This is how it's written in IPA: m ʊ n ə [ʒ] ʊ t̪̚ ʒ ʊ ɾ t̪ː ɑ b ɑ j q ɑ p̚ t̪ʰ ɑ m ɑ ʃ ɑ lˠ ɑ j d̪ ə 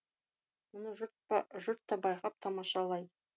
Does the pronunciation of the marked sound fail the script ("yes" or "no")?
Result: no